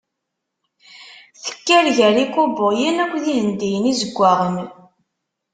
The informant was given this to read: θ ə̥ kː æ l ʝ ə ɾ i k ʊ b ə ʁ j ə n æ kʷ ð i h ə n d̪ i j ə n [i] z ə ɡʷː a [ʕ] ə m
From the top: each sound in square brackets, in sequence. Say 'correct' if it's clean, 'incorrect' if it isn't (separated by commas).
correct, incorrect